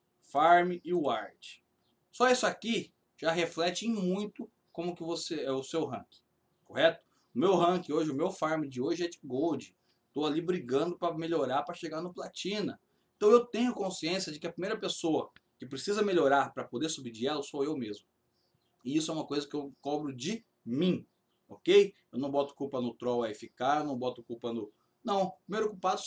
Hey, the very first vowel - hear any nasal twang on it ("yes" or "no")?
no